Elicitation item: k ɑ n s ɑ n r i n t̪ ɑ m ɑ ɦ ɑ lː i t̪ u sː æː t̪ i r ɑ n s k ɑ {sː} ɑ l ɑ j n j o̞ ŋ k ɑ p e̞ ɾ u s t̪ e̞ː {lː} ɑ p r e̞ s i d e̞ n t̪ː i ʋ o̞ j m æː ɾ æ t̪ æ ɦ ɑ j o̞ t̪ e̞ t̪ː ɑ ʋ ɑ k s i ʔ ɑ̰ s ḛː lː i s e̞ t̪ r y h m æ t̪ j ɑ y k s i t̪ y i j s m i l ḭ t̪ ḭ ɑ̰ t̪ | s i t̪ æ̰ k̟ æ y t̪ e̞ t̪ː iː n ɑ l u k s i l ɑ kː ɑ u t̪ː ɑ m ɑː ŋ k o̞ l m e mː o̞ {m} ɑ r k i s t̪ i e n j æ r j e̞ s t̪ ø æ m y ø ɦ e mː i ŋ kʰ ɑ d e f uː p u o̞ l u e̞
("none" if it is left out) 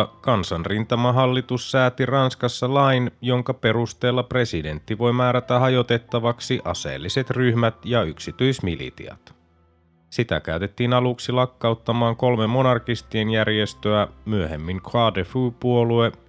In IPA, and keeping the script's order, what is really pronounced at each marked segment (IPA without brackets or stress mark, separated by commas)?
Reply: sː, lː, n